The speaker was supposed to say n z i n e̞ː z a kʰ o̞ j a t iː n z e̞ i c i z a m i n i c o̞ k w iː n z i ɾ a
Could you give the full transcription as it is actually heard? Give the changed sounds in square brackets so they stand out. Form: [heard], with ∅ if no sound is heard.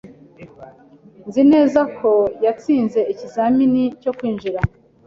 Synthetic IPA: n z i n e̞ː z a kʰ o̞ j a [t͡s] iː n z e̞ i c i z a m i n i c o̞ k w iː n [ʒ] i ɾ a